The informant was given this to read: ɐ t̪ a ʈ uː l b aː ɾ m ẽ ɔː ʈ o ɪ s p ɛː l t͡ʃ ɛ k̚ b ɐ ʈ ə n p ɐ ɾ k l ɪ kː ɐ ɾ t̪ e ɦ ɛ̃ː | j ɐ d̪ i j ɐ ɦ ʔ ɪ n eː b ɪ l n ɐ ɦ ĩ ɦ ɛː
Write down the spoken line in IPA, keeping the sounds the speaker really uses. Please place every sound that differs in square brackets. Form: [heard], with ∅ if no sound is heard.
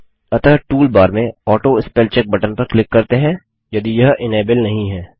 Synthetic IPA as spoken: ɐ t̪ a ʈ uː l b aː ɾ m ẽ ɔː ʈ o ɪ s p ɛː l t͡ʃ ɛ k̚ b ɐ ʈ ə n p ɐ ɾ k l ɪ kː ɐ ɾ t̪ e ɦ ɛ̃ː | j ɐ d̪ i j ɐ ɦ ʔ ɪ n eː b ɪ l n ɐ ɦ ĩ ɦ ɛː